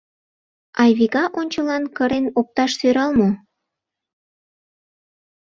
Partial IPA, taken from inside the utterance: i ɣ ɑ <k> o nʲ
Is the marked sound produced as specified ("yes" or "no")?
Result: no